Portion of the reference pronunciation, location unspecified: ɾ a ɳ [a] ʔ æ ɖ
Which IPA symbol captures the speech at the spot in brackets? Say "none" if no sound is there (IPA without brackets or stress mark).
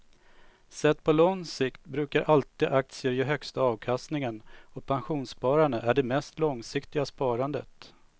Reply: ə